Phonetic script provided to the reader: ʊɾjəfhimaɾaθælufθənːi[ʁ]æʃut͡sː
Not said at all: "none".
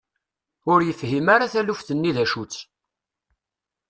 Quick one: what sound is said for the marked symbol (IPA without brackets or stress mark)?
ð